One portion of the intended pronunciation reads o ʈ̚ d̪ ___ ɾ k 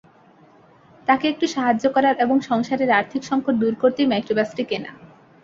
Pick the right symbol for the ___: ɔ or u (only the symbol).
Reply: u